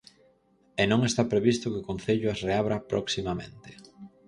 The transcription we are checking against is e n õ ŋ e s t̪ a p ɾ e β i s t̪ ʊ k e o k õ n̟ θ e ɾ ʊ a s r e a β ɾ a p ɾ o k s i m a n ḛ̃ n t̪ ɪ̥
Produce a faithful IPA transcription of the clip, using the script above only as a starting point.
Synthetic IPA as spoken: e n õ ŋ e s t̪ a p ɾ e β i s t̪ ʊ k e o k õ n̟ θ e ʎ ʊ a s r e a β ɾ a p ɾ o k s i m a m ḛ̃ n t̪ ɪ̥

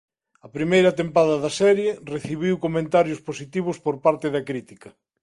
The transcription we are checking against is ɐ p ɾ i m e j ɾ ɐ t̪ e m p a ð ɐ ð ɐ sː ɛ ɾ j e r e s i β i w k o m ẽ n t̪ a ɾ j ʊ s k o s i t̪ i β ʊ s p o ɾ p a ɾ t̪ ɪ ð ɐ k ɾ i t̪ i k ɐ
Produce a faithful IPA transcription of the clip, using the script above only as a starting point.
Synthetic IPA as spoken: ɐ p ɾ i m e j ɾ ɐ t̪ e m p a ð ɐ ð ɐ s ɛ ɾ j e r e θ i β i w k o m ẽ n t̪ a ɾ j ʊ s p o s i t̪ i β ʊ s p o ɾ p a ɾ t̪ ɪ ð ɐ k ɾ i t̪ i k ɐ

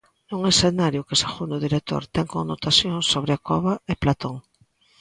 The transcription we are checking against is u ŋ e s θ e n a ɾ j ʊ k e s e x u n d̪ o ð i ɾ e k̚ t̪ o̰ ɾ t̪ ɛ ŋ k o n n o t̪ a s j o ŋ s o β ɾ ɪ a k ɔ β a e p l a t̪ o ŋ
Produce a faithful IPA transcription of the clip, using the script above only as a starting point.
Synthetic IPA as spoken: u ŋ e s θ e n a ɾ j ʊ k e s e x u n d̪ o ð i ɾ e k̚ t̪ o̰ ɾ t̪ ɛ ŋ k o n n o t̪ a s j o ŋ s o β ɾ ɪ a k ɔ β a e p l a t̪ o ŋ

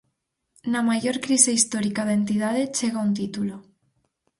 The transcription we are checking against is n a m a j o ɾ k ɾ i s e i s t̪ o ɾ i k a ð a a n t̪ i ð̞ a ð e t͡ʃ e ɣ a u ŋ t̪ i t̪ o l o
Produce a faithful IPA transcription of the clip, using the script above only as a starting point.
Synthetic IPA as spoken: n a m a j o ɾ k ɾ i s e i s t̪ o ɾ i k a ð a e n t̪ i ð̞ a ð e t͡ʃ e ɣ a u n t̪ i t̪ u l o

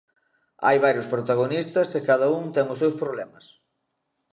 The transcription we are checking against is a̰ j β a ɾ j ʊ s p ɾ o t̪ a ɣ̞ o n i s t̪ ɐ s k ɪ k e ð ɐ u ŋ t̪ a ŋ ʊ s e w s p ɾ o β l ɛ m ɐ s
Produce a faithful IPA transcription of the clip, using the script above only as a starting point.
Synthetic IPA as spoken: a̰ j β a ɾ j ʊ s p ɾ o t̪ a ɣ̞ o n i s t̪ ɐ s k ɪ k a ð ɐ u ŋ t̪ ɛ ŋ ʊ s e w s p ɾ o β l ɛ m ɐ s

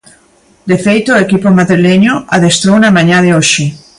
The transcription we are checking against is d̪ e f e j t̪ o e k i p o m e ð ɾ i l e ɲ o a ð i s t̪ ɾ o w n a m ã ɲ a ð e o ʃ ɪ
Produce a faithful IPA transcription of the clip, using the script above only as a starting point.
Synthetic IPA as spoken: d̪ e f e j t̪ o e k i p o m a ð ɾ i l e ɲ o a ð e s t̪ ɾ o w n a m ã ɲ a ð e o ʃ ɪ

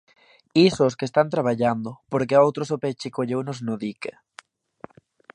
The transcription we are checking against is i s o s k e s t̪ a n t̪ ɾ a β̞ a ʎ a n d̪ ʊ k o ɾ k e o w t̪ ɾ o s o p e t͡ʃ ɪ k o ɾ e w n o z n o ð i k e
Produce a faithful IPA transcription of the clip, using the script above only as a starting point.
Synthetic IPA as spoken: i s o s k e s t̪ a n t̪ ɾ a β̞ a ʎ a n d̪ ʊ p o ɾ k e o w t̪ ɾ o s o p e t͡ʃ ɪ k o ʎ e w n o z n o ð i k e

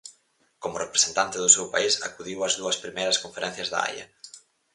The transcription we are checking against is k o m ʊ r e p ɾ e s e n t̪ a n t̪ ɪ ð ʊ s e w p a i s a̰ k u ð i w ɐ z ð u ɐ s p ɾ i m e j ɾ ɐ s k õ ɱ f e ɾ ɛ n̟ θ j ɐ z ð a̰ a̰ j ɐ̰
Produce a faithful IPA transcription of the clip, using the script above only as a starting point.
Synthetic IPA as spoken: k o m ʊ r e p ɾ e s e n t̪ a n t̪ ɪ ð ʊ s e w p a i s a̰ k u ð i w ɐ z ð u ɐ s p ɾ i m e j ɾ ɐ s k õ ɱ f e ɾ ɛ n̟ θ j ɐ z ð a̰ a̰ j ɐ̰

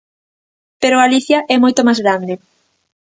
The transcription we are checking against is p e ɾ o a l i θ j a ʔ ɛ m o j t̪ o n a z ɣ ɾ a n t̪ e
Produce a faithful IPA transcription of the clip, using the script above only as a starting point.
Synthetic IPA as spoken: p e ɾ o a l i θ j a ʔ ɛ m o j t̪ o m a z ɣ ɾ a n d̪ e

